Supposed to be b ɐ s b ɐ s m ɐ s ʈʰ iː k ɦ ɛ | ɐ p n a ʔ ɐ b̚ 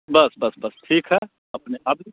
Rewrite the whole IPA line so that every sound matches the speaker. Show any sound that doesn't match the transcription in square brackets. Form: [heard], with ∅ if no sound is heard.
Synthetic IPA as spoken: b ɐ s b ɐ s [b] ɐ s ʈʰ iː k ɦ ɛ | ɐ p n [e] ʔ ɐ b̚